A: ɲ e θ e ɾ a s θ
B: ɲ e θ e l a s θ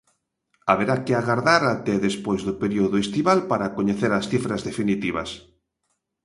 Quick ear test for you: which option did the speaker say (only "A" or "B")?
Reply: A